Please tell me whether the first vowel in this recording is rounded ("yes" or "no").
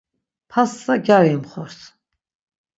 no